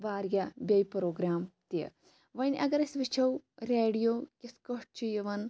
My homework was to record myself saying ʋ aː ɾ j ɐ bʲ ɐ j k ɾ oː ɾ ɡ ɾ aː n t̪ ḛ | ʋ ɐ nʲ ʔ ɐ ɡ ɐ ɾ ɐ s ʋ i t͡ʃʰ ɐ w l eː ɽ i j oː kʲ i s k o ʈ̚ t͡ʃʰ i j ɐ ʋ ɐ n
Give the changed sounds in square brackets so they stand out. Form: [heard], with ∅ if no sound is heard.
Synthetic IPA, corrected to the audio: ʋ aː ɾ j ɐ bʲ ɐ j [p] ɾ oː [∅] ɡ ɾ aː [m] t̪ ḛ | ʋ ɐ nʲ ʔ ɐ ɡ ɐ ɾ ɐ s ʋ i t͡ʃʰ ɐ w [ɾ] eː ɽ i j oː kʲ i s k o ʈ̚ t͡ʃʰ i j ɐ ʋ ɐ n